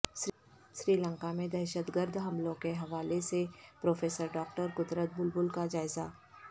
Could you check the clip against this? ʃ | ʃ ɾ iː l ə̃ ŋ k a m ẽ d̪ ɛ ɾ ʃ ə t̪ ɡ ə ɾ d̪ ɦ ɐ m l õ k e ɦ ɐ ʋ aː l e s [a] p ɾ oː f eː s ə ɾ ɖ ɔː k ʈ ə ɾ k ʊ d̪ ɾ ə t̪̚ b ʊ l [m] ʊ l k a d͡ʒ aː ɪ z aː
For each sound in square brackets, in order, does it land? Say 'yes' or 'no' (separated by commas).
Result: no, no